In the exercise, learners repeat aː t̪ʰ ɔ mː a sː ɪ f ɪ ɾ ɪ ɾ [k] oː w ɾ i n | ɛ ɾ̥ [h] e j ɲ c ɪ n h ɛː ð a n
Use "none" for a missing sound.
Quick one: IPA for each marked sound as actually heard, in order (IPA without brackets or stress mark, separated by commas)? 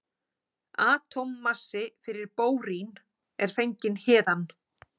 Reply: p, f